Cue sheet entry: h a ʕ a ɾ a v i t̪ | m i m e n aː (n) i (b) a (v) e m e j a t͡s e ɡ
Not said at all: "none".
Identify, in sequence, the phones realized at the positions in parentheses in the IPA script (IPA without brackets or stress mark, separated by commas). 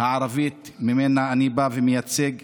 n, b, v